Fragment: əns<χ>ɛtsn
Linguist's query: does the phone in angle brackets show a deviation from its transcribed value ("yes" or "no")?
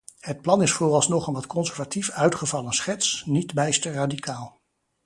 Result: no